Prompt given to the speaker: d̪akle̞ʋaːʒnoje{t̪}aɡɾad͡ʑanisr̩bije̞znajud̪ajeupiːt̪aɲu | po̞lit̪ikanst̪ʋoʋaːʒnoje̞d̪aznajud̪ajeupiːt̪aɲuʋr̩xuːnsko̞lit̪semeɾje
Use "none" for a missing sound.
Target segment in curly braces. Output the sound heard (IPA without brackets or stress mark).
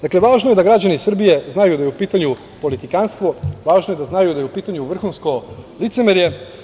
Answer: d̪